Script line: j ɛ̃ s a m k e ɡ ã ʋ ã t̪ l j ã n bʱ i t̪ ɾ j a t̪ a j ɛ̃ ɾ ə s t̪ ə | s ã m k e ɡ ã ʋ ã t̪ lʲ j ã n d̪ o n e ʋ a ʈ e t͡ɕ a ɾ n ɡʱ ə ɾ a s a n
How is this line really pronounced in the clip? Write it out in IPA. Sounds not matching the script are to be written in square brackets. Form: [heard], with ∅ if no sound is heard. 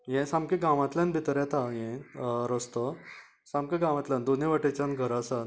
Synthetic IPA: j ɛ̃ s a m k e ɡ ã ʋ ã t̪ l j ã n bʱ i t̪ ɾ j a t̪ a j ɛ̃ ɾ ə s t̪ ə | s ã m k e ɡ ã ʋ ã t̪ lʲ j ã n d̪ o n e ʋ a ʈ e t͡ɕ a [∅] n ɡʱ ə ɾ a s a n